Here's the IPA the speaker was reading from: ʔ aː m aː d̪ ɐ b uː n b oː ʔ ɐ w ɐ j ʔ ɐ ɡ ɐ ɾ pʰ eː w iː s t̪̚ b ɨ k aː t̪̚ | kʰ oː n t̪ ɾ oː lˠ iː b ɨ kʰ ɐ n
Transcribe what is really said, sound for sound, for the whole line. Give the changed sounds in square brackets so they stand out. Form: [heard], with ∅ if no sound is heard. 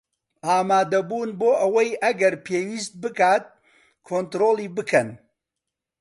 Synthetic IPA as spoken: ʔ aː m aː d̪ ɐ b uː n b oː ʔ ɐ w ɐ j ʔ ɐ ɡ ɐ ɾ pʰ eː w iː s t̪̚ b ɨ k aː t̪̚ | kʰ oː n t̪ ɾ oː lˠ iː b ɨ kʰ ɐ n